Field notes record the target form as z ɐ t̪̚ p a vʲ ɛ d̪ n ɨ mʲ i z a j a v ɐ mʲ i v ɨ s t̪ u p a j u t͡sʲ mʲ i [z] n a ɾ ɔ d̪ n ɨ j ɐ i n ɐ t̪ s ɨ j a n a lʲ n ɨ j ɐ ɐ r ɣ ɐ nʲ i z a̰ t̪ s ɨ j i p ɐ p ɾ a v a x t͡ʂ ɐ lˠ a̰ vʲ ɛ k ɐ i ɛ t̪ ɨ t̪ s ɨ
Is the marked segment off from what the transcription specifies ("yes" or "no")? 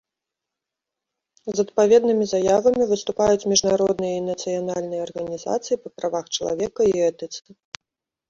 yes